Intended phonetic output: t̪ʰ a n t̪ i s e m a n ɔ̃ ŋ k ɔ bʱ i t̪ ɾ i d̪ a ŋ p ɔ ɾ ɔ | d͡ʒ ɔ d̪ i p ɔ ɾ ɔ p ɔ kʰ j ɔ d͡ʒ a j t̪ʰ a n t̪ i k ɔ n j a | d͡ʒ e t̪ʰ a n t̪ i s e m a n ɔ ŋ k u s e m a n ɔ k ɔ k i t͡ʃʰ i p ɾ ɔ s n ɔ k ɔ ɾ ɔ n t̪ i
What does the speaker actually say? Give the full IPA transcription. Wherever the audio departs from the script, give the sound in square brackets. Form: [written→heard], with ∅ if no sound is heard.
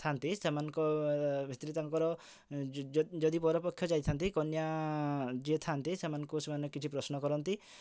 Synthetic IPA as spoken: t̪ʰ a n t̪ i s e m a n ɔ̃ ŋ k ɔ bʱ i t̪ ɾ i [d̪→t̪] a ŋ [p→k] ɔ ɾ ɔ | d͡ʒ ɔ d̪ i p ɔ ɾ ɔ p ɔ kʰ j ɔ d͡ʒ a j t̪ʰ a n t̪ i k ɔ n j a | d͡ʒ e t̪ʰ a n t̪ i s e m a n ɔ ŋ k u s e m a n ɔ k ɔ k i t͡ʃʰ i p ɾ ɔ s n ɔ k ɔ ɾ ɔ n t̪ i

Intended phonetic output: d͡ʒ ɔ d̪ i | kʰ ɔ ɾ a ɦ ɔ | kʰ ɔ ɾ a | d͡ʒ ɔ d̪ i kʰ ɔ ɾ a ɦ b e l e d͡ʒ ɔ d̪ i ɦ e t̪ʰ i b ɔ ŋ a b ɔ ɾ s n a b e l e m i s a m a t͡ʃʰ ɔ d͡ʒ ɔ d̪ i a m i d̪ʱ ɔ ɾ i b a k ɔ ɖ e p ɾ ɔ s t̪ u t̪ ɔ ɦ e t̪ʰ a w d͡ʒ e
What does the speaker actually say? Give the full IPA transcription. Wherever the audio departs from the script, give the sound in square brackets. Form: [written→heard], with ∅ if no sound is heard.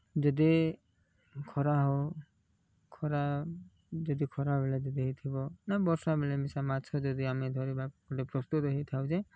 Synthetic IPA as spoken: d͡ʒ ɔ d̪ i | kʰ ɔ ɾ a ɦ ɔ | kʰ ɔ ɾ a | d͡ʒ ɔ d̪ i kʰ ɔ ɾ a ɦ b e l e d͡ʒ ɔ d̪ i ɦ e t̪ʰ i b ɔ [ŋ→n] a b ɔ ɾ s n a b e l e m i s a m a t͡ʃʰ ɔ d͡ʒ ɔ d̪ i a m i d̪ʱ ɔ ɾ i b a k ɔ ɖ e p ɾ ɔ s t̪ u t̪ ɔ ɦ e t̪ʰ a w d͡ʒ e

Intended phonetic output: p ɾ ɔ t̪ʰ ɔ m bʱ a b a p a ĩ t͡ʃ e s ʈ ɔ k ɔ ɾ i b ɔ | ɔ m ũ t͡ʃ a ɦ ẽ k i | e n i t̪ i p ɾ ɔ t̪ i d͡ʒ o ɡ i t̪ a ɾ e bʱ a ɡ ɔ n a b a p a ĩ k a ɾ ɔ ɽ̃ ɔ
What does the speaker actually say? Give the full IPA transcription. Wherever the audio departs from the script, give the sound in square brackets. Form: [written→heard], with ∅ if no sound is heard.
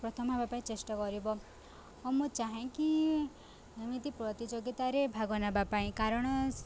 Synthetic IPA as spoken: p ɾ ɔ t̪ʰ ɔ m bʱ a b a p a ĩ t͡ʃ e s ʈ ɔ k ɔ ɾ i b ɔ | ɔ m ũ t͡ʃ a ɦ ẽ k i | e [n→m] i t̪ i p ɾ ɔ t̪ i d͡ʒ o ɡ i t̪ a ɾ e bʱ a ɡ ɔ n a b a p a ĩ k a ɾ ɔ ɽ̃ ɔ

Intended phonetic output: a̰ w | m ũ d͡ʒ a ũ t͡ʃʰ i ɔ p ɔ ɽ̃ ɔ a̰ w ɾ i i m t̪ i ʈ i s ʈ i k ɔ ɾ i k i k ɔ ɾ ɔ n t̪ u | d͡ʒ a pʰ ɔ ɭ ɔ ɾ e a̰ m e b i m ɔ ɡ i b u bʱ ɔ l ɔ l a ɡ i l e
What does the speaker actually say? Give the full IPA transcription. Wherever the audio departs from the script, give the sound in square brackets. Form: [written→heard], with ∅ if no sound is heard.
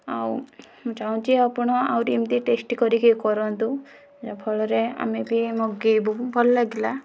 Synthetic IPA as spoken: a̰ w | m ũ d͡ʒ a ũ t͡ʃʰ i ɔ p ɔ ɽ̃ ɔ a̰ w ɾ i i m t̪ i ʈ [i→e] s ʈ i k ɔ ɾ i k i k ɔ ɾ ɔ n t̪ u | d͡ʒ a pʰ ɔ ɭ ɔ ɾ e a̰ m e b i m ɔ ɡ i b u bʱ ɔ l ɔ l a ɡ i l [e→a]

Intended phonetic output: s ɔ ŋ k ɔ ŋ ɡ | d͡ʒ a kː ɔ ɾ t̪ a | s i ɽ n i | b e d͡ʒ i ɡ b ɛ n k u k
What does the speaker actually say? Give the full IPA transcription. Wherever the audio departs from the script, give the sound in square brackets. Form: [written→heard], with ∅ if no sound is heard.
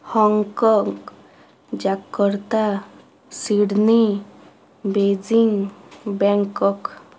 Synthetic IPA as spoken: [s→h] ɔ ŋ k ɔ ŋ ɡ | d͡ʒ a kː ɔ ɾ t̪ a | s i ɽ n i | b e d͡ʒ i [ɡ→ŋ] b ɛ [n→ŋ] k [u→ɔ] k

